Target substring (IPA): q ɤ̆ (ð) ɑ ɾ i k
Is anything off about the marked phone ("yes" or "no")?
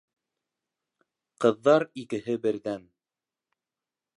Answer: yes